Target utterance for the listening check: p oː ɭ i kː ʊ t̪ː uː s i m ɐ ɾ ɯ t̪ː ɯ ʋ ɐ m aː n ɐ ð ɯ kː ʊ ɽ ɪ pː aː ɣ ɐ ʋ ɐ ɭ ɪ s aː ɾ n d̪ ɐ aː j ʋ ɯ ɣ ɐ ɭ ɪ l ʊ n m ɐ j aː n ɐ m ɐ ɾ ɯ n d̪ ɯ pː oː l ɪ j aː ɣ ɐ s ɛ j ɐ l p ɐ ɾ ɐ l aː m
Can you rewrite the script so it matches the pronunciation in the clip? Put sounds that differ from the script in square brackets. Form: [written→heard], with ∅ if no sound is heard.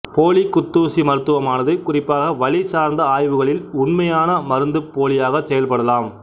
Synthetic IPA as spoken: p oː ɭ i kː ʊ t̪ː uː s i m ɐ ɾ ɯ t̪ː ɯ ʋ ɐ m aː n ɐ ð ɯ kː ʊ [ɽ→r] ɪ pː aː ɣ ɐ ʋ ɐ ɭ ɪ s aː ɾ n d̪ ɐ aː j ʋ ɯ ɣ ɐ ɭ ɪ l ʊ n m ɐ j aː n ɐ m ɐ ɾ ɯ n d̪ ɯ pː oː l ɪ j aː ɣ ɐ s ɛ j ɐ l p ɐ [ɾ→ɽ] ɐ l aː m

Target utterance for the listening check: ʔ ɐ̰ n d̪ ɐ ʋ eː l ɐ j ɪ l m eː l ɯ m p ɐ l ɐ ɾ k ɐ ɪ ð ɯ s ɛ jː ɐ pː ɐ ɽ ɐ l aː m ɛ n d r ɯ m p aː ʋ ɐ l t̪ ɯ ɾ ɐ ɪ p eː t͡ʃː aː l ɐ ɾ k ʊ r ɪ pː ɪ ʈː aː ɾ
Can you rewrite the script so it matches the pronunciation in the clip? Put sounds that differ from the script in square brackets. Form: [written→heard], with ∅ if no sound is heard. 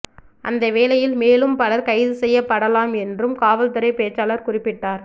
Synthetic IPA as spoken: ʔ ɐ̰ n d̪ ɐ ʋ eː l ɐ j ɪ l m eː l ɯ m p ɐ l ɐ ɾ k ɐ ɪ ð ɯ s ɛ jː ɐ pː ɐ ɽ ɐ l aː m ɛ n d r ɯ m [p→k] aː ʋ ɐ l t̪ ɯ ɾ ɐ ɪ p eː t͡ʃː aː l ɐ ɾ k ʊ r ɪ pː ɪ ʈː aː ɾ

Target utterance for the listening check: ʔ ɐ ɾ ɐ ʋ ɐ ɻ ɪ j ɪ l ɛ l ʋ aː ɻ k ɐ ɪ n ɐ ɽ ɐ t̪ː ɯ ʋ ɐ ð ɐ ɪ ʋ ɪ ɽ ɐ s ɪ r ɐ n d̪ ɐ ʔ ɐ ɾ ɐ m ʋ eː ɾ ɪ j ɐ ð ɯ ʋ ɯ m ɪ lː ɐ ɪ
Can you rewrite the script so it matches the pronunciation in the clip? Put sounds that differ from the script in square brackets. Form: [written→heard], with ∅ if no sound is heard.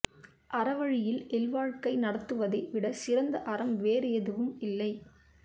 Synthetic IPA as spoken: ʔ ɐ ɾ ɐ ʋ ɐ ɻ ɪ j ɪ l ɛ l ʋ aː ɻ k ɐ ɪ n ɐ ɽ ɐ t̪ː ɯ ʋ ɐ ð ɐ ɪ ʋ ɪ ɽ ɐ s ɪ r ɐ n d̪ ɐ ʔ ɐ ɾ ɐ m ʋ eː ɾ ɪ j ɐ ð ɯ ʋ ɯ m ɪ lː ɐ ɪ

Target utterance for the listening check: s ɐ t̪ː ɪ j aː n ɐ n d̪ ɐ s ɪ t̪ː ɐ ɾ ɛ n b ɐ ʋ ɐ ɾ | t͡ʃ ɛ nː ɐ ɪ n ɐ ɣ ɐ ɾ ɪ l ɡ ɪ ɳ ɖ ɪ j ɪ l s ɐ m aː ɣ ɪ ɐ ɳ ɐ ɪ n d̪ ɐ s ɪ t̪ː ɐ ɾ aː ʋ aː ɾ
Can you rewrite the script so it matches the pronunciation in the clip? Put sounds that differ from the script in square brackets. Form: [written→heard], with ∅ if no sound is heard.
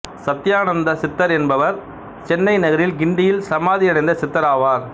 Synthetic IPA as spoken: s ɐ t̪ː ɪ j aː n ɐ n d̪ ɐ s ɪ t̪ː ɐ ɾ ɛ n b ɐ ʋ ɐ ɾ | t͡ʃ ɛ nː ɐ ɪ n ɐ ɣ ɐ ɾ ɪ l ɡ ɪ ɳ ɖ ɪ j ɪ l s ɐ m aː [ɣ→ð] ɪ ɐ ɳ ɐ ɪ n d̪ ɐ s ɪ t̪ː ɐ ɾ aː ʋ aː ɾ

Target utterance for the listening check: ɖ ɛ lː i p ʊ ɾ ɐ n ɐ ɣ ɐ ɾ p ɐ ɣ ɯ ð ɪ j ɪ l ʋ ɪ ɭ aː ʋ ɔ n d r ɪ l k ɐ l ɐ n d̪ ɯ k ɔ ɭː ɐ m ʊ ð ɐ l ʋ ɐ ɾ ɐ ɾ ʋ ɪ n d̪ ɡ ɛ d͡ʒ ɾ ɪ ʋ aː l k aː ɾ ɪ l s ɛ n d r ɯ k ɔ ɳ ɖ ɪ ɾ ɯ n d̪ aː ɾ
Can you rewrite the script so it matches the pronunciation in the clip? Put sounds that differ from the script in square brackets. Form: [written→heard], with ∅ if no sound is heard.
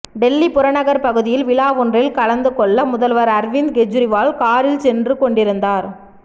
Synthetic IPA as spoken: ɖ ɛ lː i p ʊ ɾ ɐ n ɐ ɣ ɐ ɾ p ɐ ɣ ɯ ð ɪ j ɪ l ʋ ɪ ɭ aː ʋ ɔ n d r ɪ l k ɐ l ɐ n d̪ ɯ k ɔ ɭː ɐ m ʊ ð ɐ l ʋ ɐ ɾ ɐ ɾ ʋ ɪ n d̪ ɡ ɛ d͡ʒ ɾ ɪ ʋ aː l k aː ɾ ɪ l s ɛ n d r ɯ k ɔ ɳ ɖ ɪ ɾ ɯ n d̪ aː ɾ

